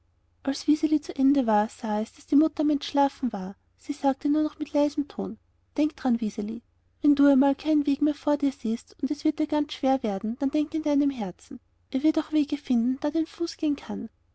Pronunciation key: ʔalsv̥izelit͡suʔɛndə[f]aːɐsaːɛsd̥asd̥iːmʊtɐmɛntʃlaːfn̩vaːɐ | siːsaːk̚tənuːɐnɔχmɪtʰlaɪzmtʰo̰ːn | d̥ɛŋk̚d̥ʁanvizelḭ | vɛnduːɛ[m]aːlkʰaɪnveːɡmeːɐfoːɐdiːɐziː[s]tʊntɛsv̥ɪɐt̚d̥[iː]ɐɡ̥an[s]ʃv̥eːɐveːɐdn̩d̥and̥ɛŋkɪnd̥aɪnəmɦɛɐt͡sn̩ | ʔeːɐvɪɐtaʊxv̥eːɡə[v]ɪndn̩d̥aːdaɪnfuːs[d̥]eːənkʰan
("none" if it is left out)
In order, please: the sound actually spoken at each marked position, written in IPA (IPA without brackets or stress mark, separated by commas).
v, m, s, iː, t͡s, f, ɡ̥